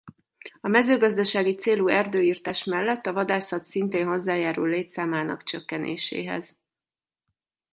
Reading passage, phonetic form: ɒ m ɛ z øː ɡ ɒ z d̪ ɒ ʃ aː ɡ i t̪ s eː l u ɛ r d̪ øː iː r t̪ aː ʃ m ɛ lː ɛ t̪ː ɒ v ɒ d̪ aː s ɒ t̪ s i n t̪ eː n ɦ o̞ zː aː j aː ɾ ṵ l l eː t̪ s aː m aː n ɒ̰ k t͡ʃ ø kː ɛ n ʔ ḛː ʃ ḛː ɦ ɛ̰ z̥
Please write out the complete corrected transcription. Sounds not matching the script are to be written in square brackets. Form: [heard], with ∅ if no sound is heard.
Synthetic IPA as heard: ɒ m ɛ z øː ɡ ɒ z d̪ ɒ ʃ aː ɡ i t̪ s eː l u ɛ r d̪ øː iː r t̪ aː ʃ m ɛ lː ɛ t̪ː ɒ v ɒ d̪ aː s ɒ t̪ s i n t̪ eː n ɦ o̞ zː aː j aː ɾ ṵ l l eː t̪ s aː m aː n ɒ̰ k t͡ʃ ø kː ɛ n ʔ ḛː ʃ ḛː ɦ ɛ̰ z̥